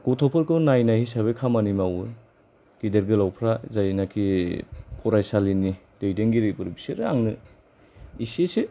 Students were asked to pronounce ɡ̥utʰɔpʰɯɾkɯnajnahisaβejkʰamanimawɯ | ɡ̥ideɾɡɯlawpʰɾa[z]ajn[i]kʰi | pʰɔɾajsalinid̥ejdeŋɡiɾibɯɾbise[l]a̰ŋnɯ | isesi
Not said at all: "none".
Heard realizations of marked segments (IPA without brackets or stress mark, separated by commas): z, a, ɾ